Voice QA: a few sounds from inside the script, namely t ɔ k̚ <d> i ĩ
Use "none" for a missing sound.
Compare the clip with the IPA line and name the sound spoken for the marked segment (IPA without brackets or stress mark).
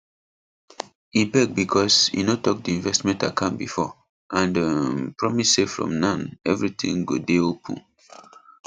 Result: d